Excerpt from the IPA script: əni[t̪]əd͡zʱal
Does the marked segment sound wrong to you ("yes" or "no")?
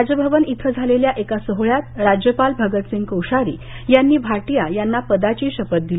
yes